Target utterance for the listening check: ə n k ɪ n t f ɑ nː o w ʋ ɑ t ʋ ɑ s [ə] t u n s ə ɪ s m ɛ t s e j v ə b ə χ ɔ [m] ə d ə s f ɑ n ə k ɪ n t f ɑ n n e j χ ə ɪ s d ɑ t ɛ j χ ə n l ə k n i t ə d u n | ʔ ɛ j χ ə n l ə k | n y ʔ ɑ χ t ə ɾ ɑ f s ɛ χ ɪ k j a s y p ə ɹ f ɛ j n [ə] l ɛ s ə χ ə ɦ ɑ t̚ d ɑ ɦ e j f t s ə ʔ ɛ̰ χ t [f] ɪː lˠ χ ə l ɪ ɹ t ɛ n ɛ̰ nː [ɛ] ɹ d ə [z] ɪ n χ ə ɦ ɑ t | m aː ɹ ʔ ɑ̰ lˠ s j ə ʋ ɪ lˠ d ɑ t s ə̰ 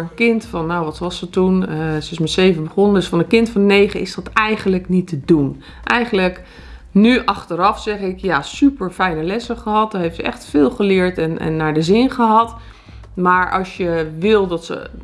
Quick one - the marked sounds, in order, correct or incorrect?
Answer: correct, incorrect: n, correct, correct, incorrect: a, correct

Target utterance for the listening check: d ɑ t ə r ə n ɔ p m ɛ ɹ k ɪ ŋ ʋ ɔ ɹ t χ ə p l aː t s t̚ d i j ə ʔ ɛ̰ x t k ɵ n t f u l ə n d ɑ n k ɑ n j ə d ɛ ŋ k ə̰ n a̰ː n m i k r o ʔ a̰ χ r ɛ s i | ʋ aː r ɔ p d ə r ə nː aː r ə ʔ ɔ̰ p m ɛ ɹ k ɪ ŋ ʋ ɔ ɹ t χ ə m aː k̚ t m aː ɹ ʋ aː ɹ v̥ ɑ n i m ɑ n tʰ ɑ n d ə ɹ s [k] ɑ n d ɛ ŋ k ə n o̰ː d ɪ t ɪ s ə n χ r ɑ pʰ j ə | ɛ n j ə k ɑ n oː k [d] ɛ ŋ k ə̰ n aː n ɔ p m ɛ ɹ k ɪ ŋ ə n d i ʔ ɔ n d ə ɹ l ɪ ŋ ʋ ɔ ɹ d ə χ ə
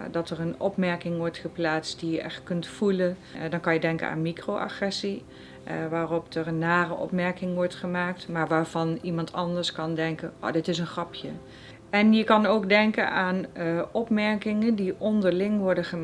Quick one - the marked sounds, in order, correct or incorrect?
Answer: correct, correct

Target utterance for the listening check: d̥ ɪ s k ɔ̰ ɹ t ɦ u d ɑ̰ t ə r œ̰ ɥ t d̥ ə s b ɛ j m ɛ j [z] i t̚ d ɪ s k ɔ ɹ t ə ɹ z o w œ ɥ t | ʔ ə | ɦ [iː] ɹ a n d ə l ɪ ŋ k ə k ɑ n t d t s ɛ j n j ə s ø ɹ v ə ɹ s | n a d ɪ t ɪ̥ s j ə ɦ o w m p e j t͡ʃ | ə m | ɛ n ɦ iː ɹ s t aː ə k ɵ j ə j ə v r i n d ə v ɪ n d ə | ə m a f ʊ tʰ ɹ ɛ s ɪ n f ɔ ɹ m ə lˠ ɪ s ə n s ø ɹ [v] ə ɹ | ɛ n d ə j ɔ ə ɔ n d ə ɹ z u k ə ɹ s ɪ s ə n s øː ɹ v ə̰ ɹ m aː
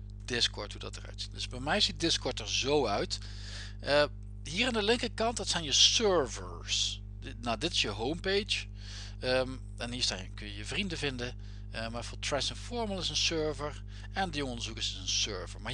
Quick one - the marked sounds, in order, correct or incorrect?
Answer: correct, correct, correct

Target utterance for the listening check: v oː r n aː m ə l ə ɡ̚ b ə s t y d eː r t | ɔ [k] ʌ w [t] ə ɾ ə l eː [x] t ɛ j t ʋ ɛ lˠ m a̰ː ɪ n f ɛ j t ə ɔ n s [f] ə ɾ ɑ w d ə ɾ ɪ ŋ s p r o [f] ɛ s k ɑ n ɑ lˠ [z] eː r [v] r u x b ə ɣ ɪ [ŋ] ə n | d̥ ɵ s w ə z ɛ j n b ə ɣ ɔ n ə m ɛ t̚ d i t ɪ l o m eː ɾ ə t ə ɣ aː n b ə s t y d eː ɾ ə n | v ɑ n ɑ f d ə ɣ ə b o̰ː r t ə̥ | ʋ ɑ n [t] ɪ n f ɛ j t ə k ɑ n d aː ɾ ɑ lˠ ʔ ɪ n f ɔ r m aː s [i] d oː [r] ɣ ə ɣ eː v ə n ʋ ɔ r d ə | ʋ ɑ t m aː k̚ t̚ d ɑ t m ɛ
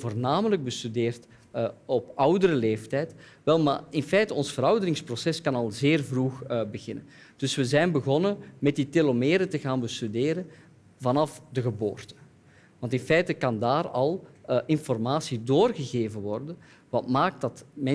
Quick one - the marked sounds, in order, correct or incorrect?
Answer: incorrect: p, incorrect: d, incorrect: f, correct, incorrect: s, correct, correct, incorrect: n, correct, correct, correct

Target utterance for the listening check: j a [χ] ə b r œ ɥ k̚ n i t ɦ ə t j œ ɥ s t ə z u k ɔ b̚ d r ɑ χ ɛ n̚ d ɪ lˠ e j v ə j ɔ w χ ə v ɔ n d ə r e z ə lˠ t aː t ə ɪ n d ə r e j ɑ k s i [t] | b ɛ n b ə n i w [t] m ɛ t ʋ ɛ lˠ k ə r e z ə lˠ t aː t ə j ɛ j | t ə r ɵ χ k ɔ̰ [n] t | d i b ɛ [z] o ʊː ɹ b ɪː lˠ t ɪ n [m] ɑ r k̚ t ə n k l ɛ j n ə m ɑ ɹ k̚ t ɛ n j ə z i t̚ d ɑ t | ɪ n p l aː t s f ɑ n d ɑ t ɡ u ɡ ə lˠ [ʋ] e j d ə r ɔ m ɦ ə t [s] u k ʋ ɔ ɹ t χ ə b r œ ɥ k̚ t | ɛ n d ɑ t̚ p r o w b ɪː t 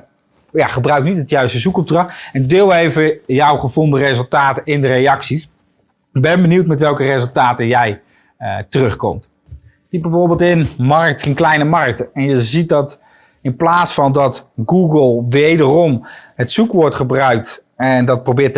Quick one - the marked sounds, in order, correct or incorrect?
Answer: correct, incorrect: s, correct, incorrect: m, incorrect: v, correct, correct, correct

